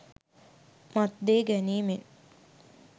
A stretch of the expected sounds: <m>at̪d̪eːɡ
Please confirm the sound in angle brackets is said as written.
yes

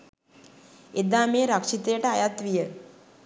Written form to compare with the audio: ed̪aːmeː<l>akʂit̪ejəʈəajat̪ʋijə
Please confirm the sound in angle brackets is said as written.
no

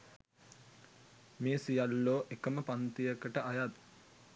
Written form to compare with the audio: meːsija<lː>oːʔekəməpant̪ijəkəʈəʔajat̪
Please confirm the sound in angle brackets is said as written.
yes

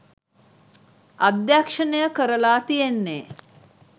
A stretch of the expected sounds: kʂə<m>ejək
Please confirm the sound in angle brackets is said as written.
no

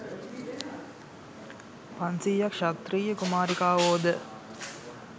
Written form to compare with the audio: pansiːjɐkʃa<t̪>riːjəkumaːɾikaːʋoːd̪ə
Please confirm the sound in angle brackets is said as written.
yes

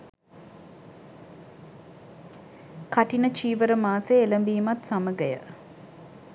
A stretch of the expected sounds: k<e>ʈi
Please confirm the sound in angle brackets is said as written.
no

